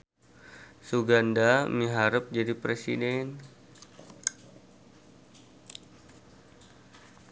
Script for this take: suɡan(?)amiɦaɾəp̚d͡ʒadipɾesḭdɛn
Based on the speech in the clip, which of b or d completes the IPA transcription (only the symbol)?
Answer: d